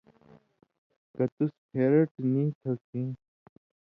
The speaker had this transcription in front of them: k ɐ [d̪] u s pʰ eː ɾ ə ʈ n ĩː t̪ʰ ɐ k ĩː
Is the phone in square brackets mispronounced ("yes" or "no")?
yes